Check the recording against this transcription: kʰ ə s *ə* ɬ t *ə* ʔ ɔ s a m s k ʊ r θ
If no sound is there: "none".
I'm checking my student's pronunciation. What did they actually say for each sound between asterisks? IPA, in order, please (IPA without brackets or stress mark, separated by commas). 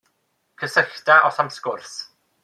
ə, a